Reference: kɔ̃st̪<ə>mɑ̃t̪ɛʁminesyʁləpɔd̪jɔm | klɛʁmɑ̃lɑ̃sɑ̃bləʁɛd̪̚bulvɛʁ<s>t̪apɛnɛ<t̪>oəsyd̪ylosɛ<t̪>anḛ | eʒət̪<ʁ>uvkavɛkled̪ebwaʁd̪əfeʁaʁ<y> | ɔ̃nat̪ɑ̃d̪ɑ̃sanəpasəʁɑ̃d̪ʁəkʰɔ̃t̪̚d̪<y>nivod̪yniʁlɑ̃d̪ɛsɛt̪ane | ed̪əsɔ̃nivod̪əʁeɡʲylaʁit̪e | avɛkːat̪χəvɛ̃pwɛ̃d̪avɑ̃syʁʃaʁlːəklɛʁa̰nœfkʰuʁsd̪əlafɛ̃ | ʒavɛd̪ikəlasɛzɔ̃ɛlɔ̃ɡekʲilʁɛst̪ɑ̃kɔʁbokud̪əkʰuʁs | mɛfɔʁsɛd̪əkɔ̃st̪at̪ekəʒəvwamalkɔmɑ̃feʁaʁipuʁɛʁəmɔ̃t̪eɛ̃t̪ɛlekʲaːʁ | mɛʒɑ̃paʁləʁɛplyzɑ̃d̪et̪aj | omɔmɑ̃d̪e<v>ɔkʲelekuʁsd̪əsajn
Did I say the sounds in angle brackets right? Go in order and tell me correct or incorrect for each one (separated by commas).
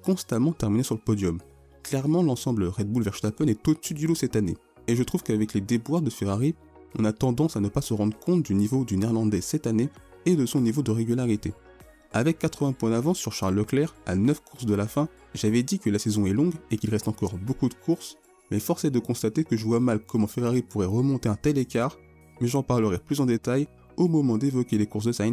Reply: incorrect, incorrect, correct, correct, incorrect, incorrect, correct, correct